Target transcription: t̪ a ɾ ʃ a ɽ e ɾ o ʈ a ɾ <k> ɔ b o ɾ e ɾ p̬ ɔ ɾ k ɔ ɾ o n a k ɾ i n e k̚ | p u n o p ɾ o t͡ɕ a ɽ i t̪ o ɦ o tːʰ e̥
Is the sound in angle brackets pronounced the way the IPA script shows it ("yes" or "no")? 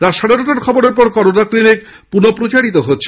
no